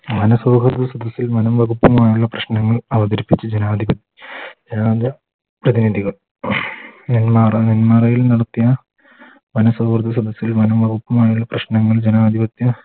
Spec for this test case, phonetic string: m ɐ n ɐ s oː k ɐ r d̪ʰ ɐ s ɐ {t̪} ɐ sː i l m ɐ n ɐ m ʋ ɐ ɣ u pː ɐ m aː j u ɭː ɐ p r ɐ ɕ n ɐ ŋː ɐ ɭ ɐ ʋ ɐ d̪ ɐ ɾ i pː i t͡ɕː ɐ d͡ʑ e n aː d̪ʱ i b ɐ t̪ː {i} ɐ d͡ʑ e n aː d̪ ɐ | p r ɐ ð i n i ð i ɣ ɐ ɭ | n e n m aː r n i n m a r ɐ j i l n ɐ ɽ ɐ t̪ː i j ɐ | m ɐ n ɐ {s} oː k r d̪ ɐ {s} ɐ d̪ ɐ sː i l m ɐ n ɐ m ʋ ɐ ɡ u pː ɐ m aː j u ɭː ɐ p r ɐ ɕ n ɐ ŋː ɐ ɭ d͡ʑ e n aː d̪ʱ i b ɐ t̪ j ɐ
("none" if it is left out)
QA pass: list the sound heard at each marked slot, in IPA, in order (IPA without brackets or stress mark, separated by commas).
d̪, j, s, s